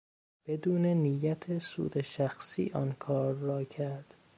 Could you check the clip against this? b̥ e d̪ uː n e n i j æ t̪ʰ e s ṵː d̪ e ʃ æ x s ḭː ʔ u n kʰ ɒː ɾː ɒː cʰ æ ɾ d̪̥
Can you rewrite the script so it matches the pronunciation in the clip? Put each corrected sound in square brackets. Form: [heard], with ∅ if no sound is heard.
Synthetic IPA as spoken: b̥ e d̪ uː n e n i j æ t̪ʰ e s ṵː d̪ e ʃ æ x s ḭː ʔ [ɒ] n kʰ ɒː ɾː ɒː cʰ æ ɾ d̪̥